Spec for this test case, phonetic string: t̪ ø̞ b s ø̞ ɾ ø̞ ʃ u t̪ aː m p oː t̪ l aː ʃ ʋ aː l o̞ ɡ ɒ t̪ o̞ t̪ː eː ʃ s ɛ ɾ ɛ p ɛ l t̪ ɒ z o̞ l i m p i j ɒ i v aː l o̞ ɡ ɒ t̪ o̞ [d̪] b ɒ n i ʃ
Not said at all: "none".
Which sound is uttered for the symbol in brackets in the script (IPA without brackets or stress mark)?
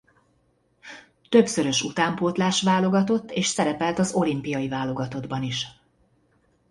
d̪